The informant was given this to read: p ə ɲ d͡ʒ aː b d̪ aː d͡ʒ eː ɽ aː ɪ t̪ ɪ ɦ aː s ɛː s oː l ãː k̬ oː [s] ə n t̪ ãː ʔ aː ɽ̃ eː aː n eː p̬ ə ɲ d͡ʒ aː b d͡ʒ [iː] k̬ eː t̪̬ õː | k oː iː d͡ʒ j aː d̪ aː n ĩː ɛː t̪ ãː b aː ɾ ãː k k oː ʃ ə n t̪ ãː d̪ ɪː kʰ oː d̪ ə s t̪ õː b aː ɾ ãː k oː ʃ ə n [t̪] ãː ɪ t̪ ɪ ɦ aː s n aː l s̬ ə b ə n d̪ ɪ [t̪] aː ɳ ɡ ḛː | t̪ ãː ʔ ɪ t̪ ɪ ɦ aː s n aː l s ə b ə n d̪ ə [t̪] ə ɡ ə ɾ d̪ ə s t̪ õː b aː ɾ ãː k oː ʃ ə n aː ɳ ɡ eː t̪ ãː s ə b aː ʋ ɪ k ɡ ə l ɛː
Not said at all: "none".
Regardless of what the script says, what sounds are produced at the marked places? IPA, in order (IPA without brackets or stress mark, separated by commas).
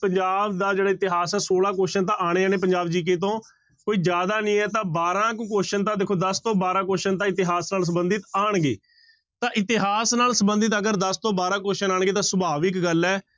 ʃ, iː, t̪, t̪, t̪